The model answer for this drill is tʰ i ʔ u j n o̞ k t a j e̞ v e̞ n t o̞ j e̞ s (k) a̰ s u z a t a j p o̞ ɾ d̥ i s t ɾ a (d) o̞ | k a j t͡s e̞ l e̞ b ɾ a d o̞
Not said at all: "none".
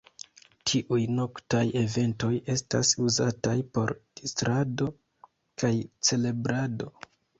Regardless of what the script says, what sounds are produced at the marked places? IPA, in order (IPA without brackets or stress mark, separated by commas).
t, d